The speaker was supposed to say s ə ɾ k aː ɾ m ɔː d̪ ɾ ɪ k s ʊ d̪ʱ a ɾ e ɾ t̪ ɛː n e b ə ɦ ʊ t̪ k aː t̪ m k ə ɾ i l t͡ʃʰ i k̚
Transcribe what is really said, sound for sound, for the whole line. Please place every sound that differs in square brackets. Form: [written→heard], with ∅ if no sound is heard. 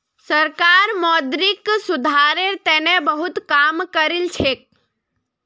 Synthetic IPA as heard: s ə ɾ k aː ɾ m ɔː d̪ ɾ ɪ k s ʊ d̪ʱ a ɾ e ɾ t̪ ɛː n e b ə ɦ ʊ t̪ k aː [t̪→∅] m k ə ɾ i l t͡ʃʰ [i→e] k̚